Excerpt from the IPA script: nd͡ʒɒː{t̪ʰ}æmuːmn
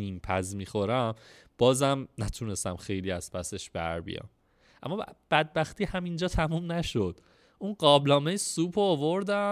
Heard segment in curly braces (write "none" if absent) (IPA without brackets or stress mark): t̪ʰ